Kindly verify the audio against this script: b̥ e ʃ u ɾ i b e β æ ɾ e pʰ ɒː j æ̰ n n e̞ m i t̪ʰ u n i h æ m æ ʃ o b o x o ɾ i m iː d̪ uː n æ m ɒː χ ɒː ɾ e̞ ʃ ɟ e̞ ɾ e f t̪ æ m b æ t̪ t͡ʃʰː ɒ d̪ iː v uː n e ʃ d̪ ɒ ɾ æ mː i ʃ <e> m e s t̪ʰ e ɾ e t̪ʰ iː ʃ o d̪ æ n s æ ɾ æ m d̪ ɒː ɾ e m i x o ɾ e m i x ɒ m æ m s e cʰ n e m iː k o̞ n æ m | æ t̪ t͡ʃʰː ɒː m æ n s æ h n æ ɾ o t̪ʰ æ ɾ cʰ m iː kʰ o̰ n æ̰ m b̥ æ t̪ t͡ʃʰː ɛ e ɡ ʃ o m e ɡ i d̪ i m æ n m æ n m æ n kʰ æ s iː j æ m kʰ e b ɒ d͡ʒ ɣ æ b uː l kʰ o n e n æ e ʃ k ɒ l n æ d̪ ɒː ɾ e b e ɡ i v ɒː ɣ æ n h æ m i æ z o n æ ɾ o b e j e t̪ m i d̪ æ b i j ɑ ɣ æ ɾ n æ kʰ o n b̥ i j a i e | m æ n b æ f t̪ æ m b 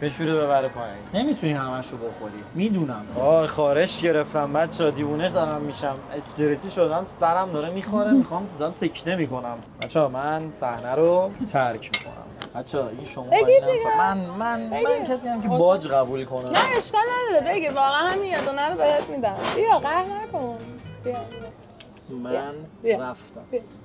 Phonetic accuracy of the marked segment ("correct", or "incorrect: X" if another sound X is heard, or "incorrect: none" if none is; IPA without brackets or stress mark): incorrect: æ